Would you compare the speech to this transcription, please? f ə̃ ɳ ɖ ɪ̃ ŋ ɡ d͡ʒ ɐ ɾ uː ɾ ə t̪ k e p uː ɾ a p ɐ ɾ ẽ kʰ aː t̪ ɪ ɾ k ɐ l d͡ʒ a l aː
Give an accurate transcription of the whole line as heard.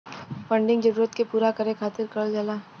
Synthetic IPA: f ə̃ ɳ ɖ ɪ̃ ŋ ɡ d͡ʒ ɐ ɾ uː ɾ ə t̪ k e p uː ɾ a k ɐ ɾ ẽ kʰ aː t̪ ɪ ɾ k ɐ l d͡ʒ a l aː